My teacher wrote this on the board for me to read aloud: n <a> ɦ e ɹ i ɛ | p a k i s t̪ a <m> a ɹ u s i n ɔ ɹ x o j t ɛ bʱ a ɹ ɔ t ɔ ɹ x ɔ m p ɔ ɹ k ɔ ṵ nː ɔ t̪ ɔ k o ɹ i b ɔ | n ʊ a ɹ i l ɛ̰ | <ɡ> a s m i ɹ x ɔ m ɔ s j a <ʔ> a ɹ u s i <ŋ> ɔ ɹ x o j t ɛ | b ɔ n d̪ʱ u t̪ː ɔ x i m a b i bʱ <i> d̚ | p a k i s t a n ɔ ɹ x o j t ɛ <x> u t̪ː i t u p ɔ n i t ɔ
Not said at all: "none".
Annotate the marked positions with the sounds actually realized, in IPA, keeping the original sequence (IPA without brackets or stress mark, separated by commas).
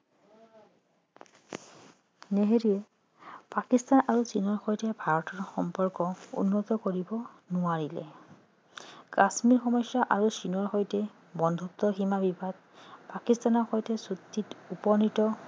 e, n, k, ʔ, n, a, s